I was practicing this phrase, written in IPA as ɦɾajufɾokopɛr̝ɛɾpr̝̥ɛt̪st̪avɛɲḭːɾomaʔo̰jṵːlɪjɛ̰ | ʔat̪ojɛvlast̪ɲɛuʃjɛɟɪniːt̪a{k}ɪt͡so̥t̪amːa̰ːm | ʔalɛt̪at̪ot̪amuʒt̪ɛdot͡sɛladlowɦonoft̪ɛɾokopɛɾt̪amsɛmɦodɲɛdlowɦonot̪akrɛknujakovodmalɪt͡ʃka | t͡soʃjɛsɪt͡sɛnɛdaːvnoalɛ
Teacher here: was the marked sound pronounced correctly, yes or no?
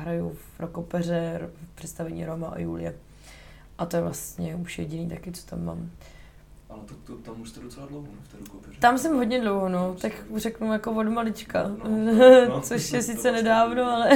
yes